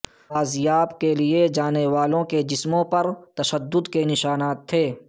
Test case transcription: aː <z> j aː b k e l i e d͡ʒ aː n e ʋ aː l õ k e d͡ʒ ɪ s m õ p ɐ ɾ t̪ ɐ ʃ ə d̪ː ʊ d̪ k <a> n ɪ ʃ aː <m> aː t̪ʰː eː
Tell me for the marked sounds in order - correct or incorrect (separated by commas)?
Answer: correct, incorrect, incorrect